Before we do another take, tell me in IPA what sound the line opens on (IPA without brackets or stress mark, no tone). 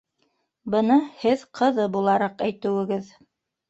b